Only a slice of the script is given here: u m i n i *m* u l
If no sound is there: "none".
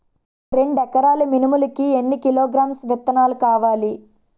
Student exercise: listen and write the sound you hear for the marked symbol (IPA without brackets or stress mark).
m